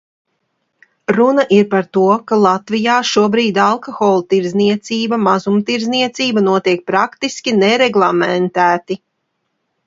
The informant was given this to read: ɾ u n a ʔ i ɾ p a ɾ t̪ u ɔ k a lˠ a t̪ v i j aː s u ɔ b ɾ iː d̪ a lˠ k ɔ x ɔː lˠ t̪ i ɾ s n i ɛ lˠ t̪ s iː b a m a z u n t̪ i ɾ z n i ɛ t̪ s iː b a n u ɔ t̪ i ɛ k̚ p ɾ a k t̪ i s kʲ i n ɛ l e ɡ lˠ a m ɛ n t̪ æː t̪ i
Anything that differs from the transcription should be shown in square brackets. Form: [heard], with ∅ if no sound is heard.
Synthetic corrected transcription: ɾ u n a ʔ i ɾ p a ɾ t̪ u ɔ k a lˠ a t̪ v i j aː [ʃ] u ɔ b ɾ iː d̪ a lˠ k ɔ x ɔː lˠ t̪ i ɾ [z] n i ɛ [∅] t̪ s iː b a m a z u [m] t̪ i ɾ z n i ɛ t̪ s iː b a n u ɔ t̪ i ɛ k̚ p ɾ a k t̪ i s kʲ i n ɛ [ɾ] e ɡ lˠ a m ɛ n t̪ æː t̪ i